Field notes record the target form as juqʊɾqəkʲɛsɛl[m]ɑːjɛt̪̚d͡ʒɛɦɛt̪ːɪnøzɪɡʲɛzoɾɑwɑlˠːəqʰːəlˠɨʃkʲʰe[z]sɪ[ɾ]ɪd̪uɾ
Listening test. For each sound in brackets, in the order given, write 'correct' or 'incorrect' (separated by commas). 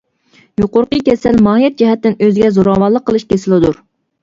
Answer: correct, incorrect, incorrect